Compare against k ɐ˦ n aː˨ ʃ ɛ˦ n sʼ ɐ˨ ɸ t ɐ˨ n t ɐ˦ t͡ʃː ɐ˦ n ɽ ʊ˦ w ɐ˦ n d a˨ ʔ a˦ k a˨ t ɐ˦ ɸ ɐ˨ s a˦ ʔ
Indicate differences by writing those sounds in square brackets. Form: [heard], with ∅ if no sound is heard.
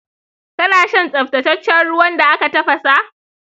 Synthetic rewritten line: k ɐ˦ n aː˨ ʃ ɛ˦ n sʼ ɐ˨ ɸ t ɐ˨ [∅] t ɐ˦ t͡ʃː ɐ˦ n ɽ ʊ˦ w ɐ˦ n d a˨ ʔ a˦ k a˨ t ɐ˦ ɸ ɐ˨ s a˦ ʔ